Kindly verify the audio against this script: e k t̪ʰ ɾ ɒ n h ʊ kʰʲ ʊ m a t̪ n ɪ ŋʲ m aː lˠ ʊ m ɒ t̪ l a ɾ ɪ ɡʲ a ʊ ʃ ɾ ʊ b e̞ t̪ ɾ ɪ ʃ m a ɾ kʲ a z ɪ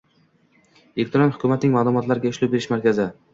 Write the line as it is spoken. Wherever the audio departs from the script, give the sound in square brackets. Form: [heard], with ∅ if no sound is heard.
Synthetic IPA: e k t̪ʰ ɾ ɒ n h ʊ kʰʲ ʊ m a t̪ n ɪ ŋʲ m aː lˠ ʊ m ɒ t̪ l a ɾ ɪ ɡʲ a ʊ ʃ [l] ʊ b e̞ [∅] ɾ ɪ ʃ m a ɾ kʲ a z ɪ